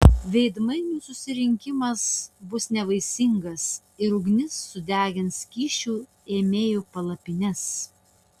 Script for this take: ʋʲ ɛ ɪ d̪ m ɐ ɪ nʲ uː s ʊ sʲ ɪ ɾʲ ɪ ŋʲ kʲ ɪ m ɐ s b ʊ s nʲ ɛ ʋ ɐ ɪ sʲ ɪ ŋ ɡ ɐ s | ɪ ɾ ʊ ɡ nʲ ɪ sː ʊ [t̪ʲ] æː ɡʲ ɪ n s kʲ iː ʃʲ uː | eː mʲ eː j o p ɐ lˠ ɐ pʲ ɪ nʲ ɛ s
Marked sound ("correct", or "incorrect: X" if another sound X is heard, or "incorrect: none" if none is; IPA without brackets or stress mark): incorrect: d̪ʲ